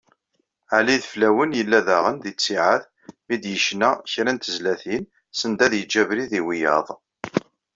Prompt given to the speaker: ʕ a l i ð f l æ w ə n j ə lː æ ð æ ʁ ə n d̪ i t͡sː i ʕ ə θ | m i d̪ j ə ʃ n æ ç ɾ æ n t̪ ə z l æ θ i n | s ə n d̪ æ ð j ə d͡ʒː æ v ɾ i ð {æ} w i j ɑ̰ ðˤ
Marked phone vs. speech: incorrect: i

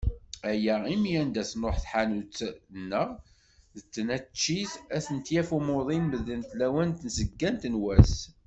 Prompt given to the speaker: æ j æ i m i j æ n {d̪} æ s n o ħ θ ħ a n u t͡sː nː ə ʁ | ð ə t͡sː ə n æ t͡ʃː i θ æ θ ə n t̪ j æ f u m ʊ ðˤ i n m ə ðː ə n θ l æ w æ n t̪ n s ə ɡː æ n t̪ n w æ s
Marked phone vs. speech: correct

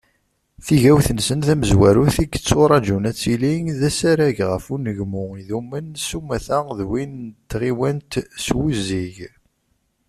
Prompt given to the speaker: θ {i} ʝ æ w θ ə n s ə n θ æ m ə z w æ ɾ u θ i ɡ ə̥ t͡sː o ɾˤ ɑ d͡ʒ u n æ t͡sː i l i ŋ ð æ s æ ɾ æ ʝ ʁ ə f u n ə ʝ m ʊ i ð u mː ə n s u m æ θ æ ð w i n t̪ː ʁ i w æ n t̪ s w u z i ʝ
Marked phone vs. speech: correct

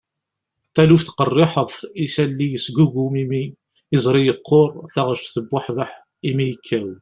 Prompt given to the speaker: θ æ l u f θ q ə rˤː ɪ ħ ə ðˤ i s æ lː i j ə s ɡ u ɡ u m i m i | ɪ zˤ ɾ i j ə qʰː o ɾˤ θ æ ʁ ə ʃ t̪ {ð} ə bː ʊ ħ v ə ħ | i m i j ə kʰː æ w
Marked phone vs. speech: incorrect: θ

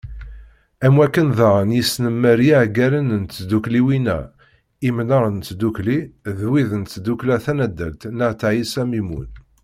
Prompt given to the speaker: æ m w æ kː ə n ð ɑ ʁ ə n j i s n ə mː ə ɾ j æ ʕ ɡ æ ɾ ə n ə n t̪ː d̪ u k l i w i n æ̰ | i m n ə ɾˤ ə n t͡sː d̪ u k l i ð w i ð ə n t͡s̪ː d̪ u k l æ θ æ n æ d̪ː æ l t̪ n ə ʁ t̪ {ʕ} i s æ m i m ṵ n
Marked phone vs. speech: correct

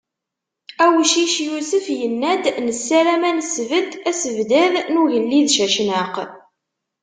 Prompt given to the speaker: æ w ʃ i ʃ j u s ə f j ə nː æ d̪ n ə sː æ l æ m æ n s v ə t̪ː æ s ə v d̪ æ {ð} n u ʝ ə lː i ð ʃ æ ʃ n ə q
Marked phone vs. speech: correct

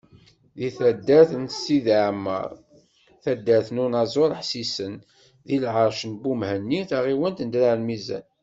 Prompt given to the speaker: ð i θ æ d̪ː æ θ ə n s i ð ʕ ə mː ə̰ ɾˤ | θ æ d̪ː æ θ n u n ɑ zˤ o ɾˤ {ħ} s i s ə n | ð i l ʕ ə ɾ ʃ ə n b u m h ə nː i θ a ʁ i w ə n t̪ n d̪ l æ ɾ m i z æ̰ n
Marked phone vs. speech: correct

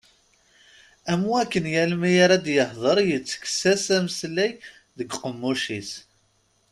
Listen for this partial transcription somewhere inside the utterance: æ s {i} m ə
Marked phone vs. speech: incorrect: æ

